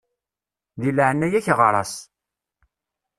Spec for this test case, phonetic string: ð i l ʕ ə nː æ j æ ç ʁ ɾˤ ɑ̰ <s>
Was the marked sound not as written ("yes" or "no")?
no